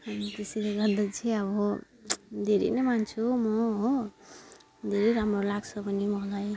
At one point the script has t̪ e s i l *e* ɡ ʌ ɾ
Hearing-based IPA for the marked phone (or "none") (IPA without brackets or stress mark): e